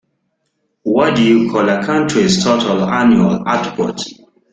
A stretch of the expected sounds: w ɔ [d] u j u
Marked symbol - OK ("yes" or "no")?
yes